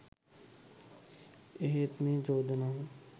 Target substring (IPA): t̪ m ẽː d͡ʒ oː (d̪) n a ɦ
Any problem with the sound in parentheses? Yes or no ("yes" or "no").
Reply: no